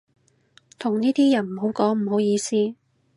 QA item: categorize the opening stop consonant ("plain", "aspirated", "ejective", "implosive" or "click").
aspirated